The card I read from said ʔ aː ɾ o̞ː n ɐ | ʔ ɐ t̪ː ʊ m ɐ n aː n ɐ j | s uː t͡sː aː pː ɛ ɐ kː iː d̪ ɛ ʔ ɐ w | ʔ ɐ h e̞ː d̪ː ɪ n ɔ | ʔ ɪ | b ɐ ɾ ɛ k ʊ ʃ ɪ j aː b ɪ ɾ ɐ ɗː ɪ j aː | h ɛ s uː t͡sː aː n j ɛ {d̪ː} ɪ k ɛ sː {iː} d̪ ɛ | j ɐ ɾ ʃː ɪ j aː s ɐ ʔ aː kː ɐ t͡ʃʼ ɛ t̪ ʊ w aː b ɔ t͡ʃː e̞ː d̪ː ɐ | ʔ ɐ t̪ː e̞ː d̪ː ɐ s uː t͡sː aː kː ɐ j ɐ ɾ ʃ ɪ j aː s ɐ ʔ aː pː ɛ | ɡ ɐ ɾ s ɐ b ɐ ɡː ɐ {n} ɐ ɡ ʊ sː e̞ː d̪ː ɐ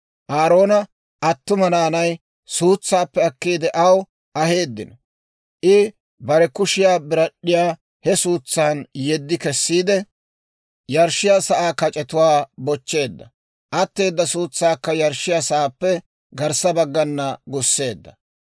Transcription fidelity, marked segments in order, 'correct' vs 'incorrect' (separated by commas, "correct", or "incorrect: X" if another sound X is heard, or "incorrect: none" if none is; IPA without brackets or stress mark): correct, correct, incorrect: nː